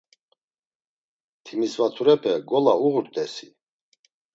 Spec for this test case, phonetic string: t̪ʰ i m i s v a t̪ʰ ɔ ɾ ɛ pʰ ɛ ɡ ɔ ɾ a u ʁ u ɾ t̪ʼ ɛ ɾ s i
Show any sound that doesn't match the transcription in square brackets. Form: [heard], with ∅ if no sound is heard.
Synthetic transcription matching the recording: t̪ʰ i m i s v a t̪ʰ [u] ɾ ɛ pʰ ɛ ɡ ɔ [l] a u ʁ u ɾ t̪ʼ ɛ [∅] s i